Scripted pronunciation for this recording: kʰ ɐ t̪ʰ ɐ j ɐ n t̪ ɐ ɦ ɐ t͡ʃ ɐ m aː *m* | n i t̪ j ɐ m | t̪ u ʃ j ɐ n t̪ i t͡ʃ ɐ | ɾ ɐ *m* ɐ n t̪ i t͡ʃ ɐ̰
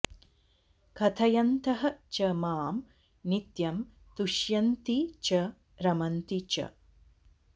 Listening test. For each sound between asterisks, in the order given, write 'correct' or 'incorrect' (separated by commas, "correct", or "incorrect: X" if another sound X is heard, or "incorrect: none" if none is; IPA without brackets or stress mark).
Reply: correct, correct